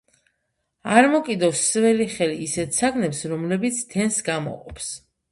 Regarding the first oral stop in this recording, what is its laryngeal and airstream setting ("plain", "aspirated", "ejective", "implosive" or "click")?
ejective